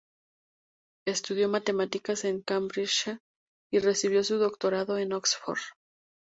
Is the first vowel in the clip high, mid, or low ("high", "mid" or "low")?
mid